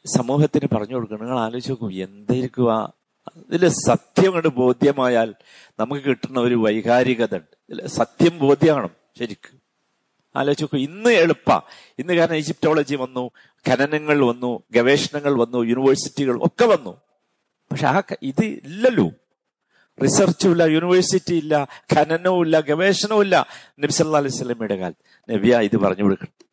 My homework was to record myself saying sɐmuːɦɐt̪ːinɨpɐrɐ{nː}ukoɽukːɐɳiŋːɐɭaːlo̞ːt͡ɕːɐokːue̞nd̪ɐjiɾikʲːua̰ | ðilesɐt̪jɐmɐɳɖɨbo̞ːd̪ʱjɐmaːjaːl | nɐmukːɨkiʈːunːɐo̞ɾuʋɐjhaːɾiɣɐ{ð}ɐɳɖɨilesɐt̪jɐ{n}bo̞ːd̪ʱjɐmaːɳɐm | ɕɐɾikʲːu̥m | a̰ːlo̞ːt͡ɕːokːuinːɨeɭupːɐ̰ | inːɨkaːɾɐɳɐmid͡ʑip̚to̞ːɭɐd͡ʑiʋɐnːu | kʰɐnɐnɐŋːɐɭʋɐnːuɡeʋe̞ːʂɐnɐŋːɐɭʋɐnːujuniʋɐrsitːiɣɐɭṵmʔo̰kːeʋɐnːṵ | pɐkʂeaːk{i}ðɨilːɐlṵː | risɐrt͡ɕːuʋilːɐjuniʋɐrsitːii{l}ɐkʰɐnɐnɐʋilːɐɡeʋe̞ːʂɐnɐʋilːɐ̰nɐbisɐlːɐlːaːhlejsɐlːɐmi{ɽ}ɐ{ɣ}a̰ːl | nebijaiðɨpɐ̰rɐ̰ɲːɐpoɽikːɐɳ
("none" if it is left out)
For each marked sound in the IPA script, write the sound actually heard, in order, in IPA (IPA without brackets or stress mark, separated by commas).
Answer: ɲː, ð, m, i, lː, ɽ, ɣ